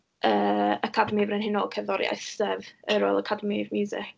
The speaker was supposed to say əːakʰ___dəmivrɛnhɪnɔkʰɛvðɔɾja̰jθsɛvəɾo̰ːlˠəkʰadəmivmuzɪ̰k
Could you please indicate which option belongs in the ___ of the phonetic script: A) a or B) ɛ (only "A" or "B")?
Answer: A